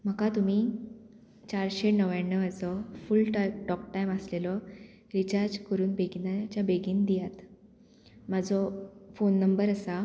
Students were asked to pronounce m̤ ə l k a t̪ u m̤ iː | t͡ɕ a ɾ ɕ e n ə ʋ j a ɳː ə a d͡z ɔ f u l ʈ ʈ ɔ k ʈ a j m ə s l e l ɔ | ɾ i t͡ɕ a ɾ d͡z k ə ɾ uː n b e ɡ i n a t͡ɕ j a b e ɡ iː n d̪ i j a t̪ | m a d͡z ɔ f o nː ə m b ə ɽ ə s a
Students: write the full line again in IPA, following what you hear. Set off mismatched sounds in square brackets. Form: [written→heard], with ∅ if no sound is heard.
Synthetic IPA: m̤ ə [l→∅] k a t̪ u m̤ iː | t͡ɕ a ɾ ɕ e n ə ʋ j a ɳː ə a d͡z ɔ f u l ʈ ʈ ɔ k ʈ a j m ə s l e l ɔ | ɾ i t͡ɕ a ɾ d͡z k ə ɾ uː n b e ɡ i n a t͡ɕ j a b e ɡ iː n d̪ i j a t̪ | m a d͡z ɔ f o nː ə m b ə [ɽ→ɾ] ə s a